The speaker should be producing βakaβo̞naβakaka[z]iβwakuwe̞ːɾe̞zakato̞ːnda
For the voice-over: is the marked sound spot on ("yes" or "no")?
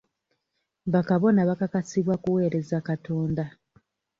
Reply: no